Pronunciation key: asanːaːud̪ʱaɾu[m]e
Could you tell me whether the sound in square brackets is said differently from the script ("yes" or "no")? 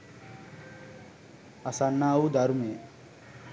no